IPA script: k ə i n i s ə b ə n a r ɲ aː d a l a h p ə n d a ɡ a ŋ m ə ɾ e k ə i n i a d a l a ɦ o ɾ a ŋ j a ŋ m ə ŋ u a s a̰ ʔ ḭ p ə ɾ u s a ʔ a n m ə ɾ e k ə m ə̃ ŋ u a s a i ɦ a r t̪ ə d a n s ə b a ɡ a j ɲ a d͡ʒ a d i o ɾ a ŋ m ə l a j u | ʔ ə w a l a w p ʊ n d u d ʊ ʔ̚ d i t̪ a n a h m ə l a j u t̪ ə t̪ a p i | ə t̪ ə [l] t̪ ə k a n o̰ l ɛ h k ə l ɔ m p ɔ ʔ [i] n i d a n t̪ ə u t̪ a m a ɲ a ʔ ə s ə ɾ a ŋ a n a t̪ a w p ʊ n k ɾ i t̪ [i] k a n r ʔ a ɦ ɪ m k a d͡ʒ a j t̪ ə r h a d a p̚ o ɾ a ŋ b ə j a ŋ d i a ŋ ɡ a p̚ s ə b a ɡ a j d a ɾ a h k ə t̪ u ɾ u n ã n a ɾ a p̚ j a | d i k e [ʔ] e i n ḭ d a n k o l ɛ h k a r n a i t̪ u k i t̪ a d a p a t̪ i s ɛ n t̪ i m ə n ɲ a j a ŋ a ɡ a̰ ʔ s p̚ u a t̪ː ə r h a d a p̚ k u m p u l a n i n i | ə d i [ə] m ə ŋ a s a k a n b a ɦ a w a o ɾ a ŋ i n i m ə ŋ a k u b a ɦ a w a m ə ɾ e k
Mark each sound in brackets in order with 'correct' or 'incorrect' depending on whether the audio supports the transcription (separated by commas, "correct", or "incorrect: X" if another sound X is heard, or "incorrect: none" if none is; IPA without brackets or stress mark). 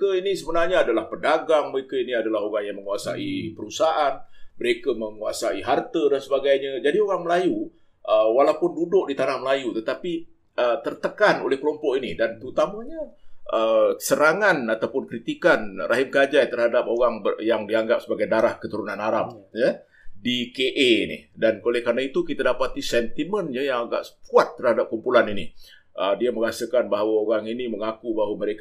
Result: incorrect: r, correct, correct, correct, incorrect: a